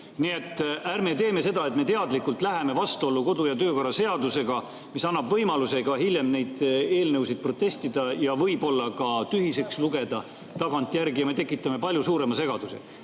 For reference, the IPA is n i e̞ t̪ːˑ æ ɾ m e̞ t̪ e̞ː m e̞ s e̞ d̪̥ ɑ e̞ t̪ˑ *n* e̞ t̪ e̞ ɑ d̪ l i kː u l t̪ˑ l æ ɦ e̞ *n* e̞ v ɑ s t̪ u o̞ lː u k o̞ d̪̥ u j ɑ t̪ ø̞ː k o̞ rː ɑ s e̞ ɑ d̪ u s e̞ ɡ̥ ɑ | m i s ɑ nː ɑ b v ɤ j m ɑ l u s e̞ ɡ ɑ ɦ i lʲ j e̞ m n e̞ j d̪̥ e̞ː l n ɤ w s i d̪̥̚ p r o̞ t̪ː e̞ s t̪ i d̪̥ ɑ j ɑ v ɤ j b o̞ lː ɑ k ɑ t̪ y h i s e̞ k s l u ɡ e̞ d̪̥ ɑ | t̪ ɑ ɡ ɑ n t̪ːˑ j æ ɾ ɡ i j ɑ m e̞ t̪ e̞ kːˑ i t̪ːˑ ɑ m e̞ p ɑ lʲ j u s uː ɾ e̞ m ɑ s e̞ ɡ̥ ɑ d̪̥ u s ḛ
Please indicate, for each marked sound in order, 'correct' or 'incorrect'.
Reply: incorrect: m, incorrect: m

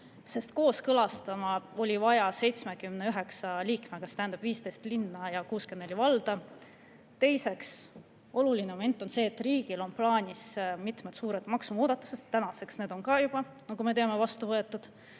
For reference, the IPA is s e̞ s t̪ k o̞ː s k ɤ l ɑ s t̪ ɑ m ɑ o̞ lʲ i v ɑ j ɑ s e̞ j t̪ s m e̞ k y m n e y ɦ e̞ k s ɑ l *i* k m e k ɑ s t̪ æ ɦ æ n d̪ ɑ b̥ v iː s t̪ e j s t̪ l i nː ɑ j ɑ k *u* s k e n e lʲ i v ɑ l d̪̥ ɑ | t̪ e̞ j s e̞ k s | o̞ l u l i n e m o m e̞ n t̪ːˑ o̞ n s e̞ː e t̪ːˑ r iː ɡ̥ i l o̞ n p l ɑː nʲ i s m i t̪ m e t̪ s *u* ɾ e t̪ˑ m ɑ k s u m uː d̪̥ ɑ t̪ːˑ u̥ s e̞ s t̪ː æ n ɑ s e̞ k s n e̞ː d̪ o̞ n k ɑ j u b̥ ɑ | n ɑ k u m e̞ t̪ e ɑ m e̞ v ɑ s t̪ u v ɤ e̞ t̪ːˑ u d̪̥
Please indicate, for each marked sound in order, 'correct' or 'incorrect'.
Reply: incorrect: iː, incorrect: uː, incorrect: uː

